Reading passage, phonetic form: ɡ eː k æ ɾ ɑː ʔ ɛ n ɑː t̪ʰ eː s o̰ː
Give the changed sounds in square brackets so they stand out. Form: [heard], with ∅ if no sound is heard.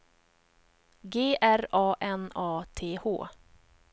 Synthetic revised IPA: ɡ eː [ʔ] æ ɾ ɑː ʔ ɛ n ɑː t̪ʰ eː [h] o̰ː